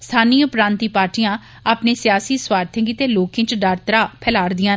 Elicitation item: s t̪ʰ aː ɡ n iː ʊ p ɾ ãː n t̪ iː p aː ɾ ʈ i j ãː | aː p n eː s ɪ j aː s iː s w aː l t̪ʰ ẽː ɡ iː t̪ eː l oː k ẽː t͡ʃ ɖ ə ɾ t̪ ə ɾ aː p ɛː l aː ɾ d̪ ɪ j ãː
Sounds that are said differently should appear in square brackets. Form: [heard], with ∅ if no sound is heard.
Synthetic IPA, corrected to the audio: s t̪ʰ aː [∅] n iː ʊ p ɾ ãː n t̪ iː p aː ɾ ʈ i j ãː | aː p n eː s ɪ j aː s iː s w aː [ɾ] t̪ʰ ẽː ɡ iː t̪ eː l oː k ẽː t͡ʃ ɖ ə ɾ t̪ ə ɾ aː [pʰ] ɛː l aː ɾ d̪ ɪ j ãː